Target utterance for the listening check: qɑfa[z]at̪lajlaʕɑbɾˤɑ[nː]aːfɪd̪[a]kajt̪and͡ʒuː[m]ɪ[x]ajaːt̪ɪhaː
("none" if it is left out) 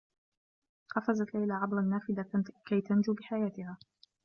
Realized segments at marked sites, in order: z, nː, a, b, ħ

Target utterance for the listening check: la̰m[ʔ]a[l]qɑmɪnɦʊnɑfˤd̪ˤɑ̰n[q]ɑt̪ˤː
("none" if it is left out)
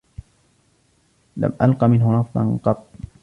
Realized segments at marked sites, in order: ʔ, l, q

